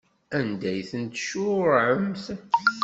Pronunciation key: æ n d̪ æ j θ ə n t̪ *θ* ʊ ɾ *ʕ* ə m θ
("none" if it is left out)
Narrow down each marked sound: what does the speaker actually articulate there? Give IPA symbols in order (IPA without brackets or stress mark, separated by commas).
ʃ, ʕ